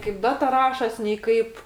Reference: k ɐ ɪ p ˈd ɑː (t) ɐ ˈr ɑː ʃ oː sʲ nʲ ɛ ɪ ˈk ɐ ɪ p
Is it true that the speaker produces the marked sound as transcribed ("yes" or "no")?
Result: yes